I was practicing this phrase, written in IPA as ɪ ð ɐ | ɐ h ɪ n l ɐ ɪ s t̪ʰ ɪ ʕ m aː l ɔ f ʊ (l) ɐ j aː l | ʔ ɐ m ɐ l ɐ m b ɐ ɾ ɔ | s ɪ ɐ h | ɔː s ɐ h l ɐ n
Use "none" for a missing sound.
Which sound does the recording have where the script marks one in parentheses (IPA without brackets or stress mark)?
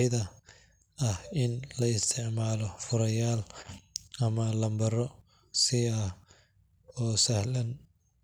ɾ